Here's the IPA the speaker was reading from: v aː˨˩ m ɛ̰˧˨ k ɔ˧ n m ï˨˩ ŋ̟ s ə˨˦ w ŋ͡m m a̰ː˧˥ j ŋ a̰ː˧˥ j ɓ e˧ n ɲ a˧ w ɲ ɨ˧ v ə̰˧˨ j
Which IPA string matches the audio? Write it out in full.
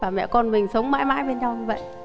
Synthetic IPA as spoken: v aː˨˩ m ɛ̰˧˨ k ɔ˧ n m ï˨˩ ŋ̟ s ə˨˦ w ŋ͡m m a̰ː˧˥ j m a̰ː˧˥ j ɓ e˧ n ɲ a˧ w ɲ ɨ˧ v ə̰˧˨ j